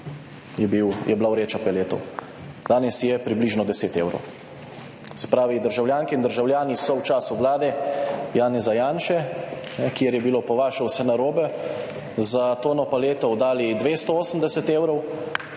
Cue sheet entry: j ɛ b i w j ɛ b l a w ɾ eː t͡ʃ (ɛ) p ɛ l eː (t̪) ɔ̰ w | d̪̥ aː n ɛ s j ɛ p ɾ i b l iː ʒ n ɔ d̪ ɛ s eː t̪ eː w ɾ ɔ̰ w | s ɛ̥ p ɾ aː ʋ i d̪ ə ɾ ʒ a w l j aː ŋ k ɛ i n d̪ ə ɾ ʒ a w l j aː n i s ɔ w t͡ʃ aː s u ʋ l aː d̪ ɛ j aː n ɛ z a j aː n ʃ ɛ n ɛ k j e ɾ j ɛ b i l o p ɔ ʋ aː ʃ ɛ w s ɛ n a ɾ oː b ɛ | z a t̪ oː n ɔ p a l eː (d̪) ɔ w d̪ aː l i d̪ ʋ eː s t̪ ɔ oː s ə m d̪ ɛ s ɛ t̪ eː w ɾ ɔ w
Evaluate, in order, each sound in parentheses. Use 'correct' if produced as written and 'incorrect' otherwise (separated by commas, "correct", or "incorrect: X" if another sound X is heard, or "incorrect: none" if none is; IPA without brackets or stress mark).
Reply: incorrect: a, correct, incorrect: t̪